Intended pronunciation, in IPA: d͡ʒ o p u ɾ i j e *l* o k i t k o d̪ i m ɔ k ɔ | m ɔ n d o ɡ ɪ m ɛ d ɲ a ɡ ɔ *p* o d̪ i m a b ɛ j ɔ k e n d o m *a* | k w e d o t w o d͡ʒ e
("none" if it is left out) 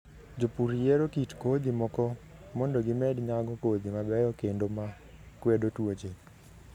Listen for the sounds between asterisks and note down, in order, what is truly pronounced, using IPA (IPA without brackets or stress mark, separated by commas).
ɾ, k, a